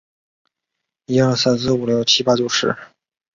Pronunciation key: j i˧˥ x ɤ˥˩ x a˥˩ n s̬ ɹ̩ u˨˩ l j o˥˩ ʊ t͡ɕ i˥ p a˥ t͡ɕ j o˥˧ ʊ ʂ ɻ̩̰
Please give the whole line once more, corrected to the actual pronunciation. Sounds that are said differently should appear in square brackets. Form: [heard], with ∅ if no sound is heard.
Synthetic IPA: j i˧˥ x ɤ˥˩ [s] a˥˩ n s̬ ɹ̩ u˨˩ l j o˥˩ ʊ [t͡ɕʰ] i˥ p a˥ t͡ɕ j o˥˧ ʊ ʂ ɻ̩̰